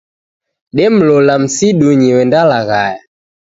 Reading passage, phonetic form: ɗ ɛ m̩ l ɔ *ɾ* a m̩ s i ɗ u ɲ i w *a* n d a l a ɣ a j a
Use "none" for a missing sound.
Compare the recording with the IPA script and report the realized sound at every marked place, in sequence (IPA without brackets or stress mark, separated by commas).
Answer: l, ɛ